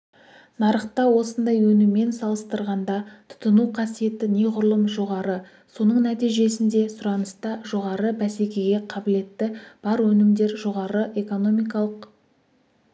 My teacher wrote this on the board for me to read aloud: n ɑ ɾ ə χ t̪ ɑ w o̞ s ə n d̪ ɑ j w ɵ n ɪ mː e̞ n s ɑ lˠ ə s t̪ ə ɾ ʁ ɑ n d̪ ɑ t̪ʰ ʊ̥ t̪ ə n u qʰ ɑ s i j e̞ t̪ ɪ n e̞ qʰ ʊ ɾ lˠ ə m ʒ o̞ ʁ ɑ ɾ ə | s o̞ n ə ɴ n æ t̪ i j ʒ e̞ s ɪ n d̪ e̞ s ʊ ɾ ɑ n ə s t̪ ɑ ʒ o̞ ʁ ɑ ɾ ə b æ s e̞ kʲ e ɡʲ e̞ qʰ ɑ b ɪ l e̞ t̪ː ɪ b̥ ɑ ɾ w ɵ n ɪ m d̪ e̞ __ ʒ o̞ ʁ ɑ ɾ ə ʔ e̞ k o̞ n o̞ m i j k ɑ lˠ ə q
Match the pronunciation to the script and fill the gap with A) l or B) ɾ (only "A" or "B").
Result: B